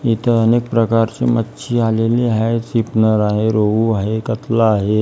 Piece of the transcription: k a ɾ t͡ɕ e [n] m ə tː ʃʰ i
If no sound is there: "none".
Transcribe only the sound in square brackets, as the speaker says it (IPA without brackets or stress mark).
none